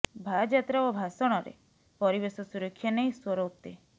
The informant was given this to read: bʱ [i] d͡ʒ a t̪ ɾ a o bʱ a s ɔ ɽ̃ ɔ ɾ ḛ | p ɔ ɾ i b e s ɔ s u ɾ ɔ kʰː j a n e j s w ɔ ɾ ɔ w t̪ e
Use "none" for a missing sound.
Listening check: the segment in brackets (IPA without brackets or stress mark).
a